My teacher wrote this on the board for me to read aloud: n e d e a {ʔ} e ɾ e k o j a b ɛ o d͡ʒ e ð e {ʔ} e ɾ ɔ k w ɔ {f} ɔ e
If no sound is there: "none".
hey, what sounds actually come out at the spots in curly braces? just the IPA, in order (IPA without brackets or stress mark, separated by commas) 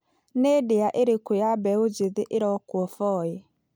ʔ, ʔ, f